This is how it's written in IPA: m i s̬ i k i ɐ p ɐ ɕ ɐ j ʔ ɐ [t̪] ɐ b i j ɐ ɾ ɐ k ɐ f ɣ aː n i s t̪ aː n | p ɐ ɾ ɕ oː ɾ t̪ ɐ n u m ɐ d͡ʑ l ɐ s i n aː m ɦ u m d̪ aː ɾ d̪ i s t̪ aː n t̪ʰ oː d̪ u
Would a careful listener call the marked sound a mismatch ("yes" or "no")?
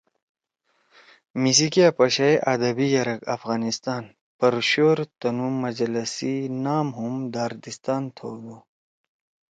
yes